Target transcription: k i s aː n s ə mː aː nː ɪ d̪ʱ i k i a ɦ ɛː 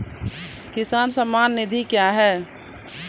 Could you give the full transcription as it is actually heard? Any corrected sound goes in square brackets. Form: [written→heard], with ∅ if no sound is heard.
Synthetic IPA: k [i→ɪ] s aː n s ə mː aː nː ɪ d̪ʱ i k [i→j] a ɦ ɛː